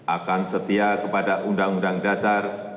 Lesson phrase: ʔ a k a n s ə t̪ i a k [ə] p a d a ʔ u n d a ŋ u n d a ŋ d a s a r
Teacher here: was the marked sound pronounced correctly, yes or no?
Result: yes